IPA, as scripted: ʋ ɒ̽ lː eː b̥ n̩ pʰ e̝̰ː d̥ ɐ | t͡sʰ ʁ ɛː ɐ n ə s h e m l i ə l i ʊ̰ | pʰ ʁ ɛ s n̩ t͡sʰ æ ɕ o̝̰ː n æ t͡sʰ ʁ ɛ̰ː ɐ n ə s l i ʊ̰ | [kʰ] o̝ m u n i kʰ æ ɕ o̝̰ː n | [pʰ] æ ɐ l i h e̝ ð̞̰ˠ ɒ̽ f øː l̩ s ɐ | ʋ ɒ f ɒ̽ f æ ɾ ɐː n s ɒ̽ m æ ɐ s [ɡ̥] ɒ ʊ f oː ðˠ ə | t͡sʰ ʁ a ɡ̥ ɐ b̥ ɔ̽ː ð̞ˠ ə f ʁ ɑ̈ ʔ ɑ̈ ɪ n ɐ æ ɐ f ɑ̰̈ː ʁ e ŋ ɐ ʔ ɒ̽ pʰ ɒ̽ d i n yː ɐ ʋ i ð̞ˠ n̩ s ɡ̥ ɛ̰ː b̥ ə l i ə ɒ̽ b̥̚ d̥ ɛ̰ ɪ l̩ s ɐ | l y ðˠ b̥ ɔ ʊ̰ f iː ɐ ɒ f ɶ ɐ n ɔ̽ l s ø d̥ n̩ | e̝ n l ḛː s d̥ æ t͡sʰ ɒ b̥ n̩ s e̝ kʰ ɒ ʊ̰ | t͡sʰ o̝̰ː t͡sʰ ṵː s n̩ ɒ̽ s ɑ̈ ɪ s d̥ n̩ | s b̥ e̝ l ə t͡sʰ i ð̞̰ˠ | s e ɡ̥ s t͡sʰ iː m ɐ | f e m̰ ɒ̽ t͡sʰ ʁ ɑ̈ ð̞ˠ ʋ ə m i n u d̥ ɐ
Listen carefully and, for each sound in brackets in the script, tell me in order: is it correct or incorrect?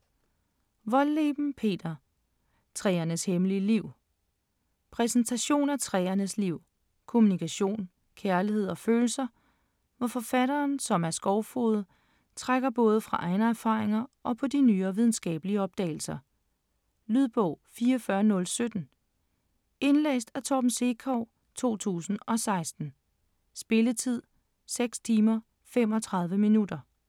correct, incorrect: kʰ, correct

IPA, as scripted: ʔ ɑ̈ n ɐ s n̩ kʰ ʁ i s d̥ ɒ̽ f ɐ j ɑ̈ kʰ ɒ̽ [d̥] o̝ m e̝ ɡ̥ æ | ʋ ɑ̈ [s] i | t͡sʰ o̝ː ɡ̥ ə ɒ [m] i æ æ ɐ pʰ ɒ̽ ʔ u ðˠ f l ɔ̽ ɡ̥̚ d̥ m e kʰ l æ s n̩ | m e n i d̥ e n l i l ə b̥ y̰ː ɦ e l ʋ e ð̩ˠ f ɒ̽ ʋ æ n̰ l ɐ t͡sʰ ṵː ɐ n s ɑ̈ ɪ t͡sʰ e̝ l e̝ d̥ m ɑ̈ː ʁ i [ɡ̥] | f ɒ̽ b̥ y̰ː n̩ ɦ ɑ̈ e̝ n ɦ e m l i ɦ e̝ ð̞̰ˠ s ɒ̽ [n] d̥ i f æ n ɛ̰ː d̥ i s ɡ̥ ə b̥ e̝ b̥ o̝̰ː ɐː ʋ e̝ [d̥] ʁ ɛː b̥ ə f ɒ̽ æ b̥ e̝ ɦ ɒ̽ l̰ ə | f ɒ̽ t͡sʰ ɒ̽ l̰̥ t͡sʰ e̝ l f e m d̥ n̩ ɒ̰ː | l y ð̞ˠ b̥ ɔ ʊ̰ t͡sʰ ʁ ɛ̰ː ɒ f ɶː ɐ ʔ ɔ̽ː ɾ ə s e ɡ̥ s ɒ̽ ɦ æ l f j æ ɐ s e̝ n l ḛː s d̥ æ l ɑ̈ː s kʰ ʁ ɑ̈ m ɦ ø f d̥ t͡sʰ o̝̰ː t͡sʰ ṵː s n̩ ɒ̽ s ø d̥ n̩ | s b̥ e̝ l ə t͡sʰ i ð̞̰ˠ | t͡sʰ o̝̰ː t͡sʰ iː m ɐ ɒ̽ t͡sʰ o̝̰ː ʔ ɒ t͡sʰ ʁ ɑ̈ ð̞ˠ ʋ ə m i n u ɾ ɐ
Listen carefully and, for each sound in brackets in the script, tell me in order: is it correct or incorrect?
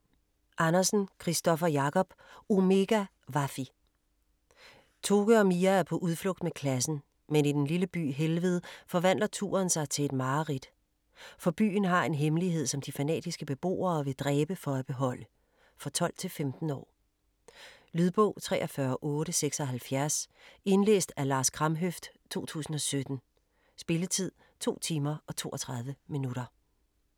incorrect: b̥, incorrect: f, correct, incorrect: d̥, incorrect: m, correct

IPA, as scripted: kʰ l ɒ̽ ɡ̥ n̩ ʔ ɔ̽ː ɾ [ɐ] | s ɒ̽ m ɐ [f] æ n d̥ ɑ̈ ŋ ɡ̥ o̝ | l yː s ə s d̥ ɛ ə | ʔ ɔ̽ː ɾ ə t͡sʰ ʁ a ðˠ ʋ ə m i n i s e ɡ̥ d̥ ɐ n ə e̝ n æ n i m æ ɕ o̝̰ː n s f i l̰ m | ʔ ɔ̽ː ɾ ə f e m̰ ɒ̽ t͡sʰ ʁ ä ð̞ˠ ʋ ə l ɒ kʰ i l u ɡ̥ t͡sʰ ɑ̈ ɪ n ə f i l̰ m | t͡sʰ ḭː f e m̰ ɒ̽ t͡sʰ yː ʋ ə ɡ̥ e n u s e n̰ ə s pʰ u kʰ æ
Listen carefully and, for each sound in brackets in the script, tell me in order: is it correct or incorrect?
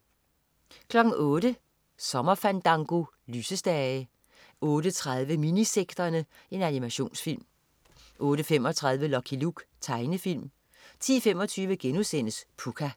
incorrect: ə, correct

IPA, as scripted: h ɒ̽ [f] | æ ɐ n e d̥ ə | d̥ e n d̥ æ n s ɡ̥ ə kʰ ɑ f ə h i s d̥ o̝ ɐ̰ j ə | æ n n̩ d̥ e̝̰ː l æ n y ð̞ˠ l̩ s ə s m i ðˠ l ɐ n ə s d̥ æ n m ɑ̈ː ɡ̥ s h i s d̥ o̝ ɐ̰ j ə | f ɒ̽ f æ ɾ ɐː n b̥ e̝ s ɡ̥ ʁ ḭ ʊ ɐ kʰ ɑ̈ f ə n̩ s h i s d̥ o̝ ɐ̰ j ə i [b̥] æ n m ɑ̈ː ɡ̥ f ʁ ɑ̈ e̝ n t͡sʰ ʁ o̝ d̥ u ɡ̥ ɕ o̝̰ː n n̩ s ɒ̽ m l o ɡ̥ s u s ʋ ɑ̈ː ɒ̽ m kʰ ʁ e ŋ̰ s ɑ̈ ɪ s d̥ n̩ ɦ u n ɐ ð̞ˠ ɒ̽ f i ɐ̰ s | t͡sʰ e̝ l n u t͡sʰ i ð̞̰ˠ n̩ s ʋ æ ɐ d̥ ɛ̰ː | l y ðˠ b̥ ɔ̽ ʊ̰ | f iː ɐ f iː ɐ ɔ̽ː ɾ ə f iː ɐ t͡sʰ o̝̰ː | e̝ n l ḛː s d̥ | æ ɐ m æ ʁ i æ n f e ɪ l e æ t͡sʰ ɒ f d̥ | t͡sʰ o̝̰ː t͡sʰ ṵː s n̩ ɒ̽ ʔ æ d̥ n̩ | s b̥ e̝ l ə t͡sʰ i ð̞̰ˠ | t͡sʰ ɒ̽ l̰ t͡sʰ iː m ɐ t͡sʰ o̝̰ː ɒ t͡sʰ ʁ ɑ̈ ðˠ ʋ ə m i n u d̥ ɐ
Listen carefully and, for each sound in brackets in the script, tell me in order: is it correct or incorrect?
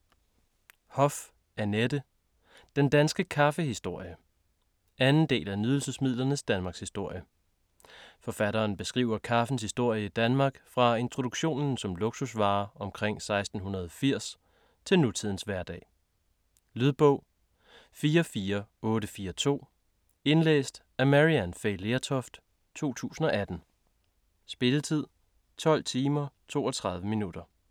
correct, incorrect: d̥

